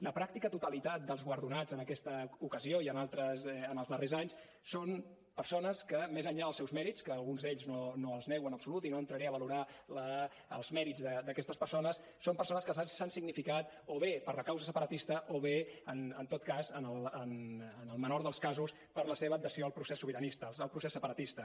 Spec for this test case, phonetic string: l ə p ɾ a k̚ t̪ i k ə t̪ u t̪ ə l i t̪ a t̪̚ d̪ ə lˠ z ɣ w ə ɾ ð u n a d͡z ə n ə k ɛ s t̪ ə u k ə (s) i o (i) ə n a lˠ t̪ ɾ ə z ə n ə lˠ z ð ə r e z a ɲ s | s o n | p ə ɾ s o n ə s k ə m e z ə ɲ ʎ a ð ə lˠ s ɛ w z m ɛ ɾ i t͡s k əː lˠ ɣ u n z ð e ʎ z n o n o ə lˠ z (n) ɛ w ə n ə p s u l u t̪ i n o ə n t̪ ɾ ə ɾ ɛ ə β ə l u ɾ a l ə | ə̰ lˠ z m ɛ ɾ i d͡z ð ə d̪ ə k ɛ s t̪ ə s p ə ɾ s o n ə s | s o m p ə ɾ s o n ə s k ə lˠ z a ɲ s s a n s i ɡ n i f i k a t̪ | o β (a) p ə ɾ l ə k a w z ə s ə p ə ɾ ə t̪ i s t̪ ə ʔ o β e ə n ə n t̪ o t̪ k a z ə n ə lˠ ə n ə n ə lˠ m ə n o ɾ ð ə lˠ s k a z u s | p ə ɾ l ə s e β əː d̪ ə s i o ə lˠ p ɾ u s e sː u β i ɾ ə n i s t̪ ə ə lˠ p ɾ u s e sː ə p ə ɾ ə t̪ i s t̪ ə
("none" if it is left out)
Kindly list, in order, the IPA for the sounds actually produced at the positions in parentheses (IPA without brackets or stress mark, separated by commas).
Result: z, i, n, e